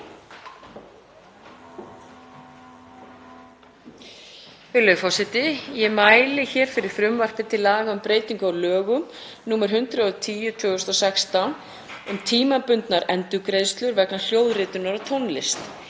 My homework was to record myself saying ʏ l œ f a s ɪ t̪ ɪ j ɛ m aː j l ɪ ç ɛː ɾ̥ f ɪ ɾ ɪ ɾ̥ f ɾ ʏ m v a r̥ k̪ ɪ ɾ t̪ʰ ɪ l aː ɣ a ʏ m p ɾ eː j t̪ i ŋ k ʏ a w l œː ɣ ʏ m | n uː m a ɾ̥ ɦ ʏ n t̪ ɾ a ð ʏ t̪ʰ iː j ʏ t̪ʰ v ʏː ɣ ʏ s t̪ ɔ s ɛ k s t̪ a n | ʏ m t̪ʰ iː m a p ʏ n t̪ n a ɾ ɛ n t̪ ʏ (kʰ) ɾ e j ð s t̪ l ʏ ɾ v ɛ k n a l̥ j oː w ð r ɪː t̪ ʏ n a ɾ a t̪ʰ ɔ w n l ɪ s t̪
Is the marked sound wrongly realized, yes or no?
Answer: yes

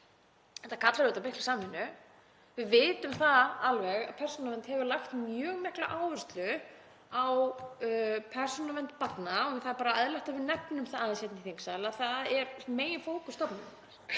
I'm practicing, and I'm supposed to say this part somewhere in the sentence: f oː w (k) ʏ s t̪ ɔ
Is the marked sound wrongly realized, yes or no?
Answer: no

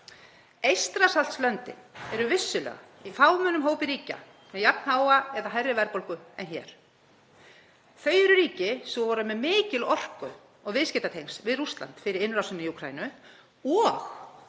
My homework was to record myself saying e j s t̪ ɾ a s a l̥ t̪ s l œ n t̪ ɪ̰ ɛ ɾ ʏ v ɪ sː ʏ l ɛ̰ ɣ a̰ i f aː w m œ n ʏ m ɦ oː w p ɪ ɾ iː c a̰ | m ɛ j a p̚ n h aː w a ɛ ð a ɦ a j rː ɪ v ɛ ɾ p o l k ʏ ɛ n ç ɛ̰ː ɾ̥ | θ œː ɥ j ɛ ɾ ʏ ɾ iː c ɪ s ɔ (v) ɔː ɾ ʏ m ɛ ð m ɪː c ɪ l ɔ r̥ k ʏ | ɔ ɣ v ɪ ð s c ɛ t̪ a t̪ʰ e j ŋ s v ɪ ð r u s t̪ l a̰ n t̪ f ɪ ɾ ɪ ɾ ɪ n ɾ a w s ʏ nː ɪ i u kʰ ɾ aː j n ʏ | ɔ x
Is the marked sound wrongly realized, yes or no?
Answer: no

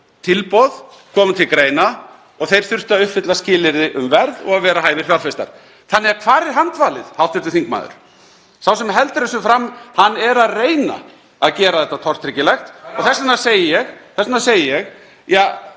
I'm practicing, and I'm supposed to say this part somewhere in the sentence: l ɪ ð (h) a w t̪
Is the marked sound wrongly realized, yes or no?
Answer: no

